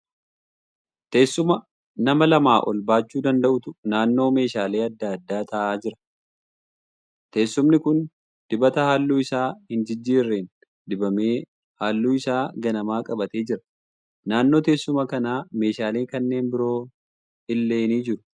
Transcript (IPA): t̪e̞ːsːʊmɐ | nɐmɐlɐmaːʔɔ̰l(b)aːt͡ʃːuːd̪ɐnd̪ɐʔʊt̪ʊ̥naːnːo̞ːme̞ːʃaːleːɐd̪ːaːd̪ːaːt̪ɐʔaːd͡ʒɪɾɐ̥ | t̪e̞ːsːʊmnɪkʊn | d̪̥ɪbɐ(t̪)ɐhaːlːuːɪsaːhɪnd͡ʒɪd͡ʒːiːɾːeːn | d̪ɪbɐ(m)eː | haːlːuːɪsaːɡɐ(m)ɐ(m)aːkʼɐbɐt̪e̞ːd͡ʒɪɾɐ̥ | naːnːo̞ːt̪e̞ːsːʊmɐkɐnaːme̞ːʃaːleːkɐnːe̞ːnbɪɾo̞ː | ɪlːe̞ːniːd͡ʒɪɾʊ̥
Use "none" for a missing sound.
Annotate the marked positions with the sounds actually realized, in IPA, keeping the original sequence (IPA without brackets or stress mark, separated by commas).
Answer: b, t̪, m, n, m